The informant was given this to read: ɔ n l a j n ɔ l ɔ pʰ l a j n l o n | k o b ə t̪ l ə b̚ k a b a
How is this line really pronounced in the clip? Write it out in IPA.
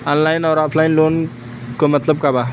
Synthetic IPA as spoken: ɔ n l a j n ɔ ɾ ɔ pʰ l a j n l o n | k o m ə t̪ l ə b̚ k a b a